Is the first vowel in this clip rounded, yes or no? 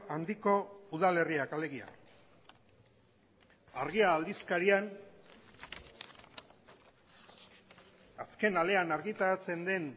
no